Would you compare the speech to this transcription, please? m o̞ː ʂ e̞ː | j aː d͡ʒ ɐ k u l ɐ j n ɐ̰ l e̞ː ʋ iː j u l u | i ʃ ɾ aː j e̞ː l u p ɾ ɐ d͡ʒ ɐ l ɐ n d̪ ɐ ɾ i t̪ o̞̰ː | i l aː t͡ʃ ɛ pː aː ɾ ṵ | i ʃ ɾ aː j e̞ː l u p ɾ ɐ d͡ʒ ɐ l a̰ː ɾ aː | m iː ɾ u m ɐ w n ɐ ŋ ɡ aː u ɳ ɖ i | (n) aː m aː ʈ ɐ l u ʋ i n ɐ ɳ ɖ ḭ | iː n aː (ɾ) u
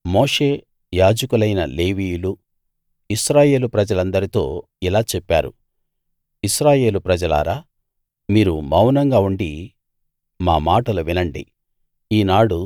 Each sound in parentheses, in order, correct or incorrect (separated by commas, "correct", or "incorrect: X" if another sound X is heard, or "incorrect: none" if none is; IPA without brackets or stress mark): incorrect: m, incorrect: ɽ